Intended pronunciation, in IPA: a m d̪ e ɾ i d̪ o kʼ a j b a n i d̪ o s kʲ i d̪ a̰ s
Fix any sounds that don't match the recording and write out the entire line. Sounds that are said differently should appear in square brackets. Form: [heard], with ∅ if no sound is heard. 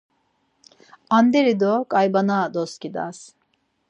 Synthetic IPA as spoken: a [n] d̪ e ɾ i d̪ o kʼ a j b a n [a] d̪ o s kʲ i d̪ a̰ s